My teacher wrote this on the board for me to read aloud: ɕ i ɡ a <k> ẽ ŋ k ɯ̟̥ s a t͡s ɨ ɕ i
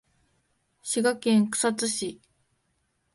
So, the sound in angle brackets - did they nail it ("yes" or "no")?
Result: yes